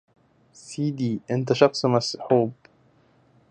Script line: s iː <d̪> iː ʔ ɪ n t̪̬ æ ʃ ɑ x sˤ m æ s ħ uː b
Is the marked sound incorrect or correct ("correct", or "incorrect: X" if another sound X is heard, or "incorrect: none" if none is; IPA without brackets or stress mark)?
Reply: correct